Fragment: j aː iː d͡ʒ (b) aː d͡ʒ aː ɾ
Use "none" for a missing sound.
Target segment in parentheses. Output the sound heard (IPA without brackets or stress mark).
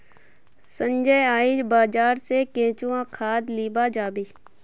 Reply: b